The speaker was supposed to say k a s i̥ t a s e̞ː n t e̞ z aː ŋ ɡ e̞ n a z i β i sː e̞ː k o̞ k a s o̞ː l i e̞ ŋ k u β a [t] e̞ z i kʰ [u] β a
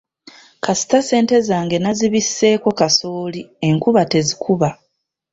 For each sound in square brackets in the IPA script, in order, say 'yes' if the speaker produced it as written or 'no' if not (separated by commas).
yes, yes